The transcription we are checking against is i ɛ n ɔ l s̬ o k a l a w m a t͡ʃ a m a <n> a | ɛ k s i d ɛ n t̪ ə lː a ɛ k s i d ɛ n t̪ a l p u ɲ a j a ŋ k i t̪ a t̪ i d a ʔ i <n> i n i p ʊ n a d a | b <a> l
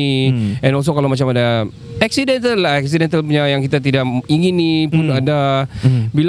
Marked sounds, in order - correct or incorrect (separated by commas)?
incorrect, incorrect, incorrect